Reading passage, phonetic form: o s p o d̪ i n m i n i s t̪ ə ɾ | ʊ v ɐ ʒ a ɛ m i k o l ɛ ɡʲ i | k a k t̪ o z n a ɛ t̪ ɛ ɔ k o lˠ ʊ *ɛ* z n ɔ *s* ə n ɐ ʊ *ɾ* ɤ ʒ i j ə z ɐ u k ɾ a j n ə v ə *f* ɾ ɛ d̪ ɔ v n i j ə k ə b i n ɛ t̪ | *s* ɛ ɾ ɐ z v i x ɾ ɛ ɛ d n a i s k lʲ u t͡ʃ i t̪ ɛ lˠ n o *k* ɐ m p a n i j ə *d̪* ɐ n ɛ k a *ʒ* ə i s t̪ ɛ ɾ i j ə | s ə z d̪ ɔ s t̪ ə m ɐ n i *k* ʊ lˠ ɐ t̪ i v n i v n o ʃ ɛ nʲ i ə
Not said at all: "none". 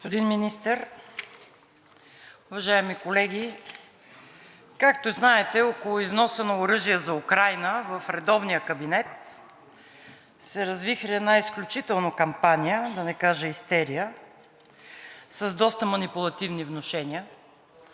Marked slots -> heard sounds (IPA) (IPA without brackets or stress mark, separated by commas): i, s, ɾ, f, s, k, d̪, ʒ, p